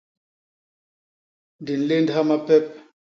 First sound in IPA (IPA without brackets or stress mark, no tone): d